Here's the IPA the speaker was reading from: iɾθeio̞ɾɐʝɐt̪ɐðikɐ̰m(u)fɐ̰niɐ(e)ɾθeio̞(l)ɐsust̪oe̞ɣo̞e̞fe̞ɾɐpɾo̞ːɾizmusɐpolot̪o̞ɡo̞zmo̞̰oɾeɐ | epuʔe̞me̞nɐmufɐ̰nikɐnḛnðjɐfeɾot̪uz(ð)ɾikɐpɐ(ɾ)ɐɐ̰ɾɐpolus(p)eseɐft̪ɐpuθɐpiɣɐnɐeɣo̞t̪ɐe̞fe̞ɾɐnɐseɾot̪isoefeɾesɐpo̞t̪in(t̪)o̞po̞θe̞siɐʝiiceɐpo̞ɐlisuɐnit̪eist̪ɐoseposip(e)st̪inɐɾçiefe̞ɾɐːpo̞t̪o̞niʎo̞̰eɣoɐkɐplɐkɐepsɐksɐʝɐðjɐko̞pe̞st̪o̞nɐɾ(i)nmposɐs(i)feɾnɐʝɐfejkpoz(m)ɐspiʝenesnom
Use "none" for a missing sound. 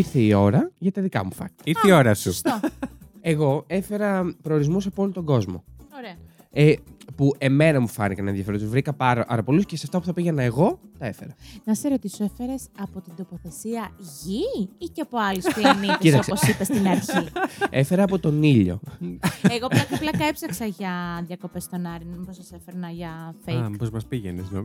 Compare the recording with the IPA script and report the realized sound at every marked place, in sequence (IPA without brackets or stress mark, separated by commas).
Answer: u, i, ɾ, v, ɾ, c, d̪, e, i, e, m